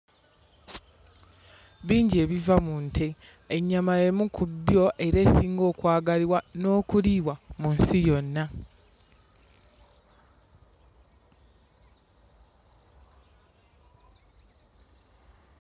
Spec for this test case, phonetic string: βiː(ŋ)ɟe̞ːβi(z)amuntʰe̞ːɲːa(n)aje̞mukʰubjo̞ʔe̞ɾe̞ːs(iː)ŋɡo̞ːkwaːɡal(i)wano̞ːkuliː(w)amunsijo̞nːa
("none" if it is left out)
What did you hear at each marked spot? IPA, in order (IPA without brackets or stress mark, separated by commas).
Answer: ɲ, v, m, iː, i, w